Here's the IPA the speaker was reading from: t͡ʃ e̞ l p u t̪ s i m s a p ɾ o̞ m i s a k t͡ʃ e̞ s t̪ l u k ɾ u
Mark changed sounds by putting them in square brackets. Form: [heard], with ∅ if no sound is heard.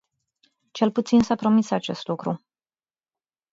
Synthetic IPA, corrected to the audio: t͡ʃ e̞ l p u t̪ s i [n] s a p ɾ o̞ m i s a [∅] t͡ʃ e̞ s t̪ l u k ɾ u